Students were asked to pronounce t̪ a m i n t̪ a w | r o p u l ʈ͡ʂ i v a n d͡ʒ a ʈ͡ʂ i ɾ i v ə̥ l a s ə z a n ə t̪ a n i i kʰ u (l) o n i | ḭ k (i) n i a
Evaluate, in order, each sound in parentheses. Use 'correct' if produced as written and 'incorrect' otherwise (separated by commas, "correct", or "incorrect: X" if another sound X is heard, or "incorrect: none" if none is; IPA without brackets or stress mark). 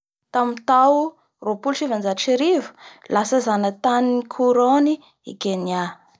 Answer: incorrect: ɾ, incorrect: e